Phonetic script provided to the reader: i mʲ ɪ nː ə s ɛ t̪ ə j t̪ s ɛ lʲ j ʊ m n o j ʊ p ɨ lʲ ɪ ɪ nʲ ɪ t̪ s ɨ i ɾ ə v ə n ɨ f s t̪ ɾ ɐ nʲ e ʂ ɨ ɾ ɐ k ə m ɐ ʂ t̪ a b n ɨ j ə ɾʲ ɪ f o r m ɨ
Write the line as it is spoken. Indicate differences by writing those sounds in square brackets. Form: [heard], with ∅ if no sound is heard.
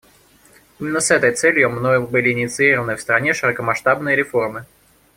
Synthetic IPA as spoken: i mʲ ɪ nː ə s ɛ t̪ ə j t̪ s ɛ lʲ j ʊ m n o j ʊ [b] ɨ lʲ ɪ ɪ nʲ ɪ t̪ s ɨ i ɾ ə v ə n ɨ f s t̪ ɾ ɐ nʲ e ʂ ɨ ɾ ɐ k ə m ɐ ʂ t̪ a b n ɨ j ə ɾʲ ɪ f o r m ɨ

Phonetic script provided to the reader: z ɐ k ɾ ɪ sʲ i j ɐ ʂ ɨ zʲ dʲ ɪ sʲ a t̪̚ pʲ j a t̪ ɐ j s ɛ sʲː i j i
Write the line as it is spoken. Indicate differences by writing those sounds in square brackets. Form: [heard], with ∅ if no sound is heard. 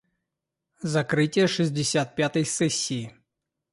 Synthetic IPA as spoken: z ɐ k ɾ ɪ [tʲ] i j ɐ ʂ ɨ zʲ dʲ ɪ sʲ a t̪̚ pʲ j a t̪ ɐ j s ɛ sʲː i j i

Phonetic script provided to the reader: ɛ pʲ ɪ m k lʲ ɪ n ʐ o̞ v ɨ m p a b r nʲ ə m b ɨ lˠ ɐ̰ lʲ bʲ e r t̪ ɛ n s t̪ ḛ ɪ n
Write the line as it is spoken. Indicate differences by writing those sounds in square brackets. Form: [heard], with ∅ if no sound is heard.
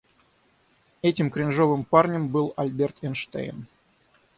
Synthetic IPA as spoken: ɛ [tʲ] ɪ m k [ɾʲ] ɪ n ʐ o̞ v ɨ m p a [∅] r nʲ ə m b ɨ lˠ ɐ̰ lʲ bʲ e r t̪ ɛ n [ʂ] t̪ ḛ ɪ n

